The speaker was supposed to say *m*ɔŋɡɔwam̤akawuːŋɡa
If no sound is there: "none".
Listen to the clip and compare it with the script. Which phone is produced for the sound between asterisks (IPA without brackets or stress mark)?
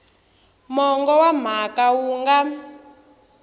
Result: m